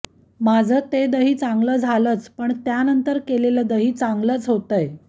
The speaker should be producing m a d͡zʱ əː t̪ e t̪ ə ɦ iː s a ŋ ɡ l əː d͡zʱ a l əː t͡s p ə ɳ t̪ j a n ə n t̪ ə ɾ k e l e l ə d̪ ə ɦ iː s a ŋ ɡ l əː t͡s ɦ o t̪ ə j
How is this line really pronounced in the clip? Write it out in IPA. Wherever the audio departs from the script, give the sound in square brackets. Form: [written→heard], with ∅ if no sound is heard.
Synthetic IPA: m a d͡zʱ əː t̪ e [t̪→d̪] ə ɦ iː [s→t͡s] a ŋ ɡ l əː d͡zʱ a l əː t͡s p ə ɳ t̪ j a n ə n t̪ ə ɾ k e l e l ə d̪ ə ɦ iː [s→t͡s] a ŋ ɡ l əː t͡s ɦ o t̪ ə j